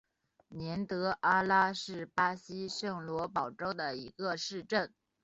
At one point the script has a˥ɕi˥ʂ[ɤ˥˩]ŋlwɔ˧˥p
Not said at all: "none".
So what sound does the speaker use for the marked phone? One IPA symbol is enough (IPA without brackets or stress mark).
ɤ˥˩